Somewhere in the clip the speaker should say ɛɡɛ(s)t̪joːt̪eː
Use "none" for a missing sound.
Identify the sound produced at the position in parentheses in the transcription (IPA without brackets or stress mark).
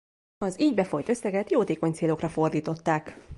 none